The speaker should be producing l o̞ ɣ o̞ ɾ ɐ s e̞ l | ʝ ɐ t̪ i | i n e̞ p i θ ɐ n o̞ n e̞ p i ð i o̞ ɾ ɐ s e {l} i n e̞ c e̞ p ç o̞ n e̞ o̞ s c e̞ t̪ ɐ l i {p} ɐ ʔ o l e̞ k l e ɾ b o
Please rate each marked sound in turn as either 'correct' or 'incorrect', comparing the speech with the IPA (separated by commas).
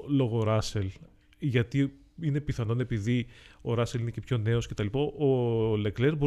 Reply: correct, correct